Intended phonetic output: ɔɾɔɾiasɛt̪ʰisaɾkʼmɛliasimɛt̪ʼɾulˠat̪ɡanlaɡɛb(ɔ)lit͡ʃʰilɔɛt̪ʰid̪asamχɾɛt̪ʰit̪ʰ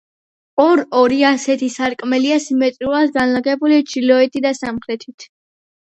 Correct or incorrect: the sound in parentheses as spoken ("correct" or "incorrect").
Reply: incorrect